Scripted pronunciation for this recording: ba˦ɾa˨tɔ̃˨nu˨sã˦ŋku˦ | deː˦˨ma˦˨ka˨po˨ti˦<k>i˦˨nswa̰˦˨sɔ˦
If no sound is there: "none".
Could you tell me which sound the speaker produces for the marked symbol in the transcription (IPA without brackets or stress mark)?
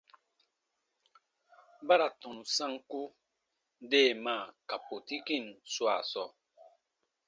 k